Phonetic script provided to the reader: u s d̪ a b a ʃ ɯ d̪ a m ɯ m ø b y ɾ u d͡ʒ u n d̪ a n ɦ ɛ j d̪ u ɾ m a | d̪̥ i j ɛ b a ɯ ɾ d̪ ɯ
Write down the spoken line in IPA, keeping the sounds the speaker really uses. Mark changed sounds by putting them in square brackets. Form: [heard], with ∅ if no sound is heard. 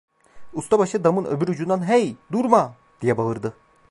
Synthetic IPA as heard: u s [t̪] a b a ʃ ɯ d̪ a m ɯ [n] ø b y ɾ u d͡ʒ u n d̪ a n ɦ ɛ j d̪ u ɾ m a | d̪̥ i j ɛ b a ɯ ɾ d̪ ɯ